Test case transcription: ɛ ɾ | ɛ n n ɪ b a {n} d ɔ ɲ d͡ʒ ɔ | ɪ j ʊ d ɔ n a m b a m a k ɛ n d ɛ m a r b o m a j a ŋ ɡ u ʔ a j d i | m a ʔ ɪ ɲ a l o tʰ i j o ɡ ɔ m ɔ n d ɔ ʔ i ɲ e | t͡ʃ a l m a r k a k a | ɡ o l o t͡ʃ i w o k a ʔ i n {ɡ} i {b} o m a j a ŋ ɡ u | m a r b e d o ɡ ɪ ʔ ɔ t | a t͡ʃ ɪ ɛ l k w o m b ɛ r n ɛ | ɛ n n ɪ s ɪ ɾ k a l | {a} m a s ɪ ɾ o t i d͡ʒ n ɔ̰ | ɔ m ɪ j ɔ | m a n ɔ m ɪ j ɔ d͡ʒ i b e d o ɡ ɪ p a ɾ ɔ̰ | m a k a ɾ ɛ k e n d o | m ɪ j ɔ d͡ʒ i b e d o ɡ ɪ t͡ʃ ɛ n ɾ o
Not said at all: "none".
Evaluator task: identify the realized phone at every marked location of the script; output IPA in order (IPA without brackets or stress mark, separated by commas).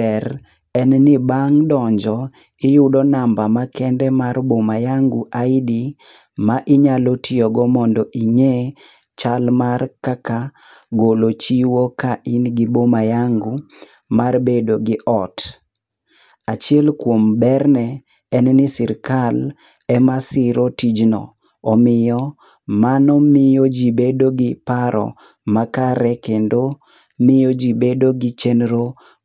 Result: ŋ, ɡ, b, ɛ